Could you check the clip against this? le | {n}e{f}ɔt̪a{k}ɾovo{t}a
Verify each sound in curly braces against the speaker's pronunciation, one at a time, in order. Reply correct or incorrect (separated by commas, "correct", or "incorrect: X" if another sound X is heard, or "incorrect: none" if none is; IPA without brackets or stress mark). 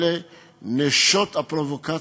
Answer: correct, incorrect: ʃ, incorrect: p, incorrect: k